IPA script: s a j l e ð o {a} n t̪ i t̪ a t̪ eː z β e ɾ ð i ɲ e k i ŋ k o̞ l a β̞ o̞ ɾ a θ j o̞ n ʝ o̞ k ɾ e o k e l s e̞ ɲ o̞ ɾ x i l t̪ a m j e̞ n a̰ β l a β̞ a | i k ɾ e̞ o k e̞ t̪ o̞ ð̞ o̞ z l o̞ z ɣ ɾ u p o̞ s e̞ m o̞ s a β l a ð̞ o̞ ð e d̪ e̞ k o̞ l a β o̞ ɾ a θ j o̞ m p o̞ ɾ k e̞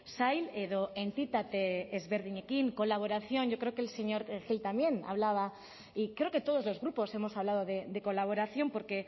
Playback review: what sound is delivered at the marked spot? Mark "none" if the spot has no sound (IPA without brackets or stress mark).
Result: e